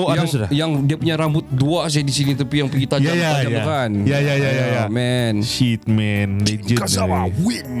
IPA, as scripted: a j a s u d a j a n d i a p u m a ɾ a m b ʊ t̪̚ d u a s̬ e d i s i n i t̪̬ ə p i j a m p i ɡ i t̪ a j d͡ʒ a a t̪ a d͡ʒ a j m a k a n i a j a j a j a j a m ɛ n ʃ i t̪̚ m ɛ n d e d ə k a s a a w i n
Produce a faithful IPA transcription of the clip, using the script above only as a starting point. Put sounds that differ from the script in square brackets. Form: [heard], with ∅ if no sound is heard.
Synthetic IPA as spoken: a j a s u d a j a [ŋ] d i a p u [ɲ] a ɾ a m b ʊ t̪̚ d u a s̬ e d i s i n i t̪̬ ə p i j a [ŋ] p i ɡ i t̪ a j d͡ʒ a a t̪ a d͡ʒ a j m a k a n [j] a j a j a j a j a m ɛ n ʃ i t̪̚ m ɛ n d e [d͡ʒ] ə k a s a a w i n